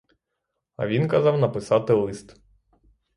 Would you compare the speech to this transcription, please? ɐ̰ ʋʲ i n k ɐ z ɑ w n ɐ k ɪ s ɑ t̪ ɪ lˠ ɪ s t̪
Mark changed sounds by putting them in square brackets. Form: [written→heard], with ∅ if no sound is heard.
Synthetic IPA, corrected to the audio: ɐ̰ ʋʲ i n k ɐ z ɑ w n ɐ [k→p] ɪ s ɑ t̪ ɪ lˠ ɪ s t̪